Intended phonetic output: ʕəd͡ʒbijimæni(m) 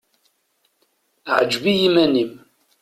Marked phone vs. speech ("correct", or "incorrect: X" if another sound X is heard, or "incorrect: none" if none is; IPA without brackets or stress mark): correct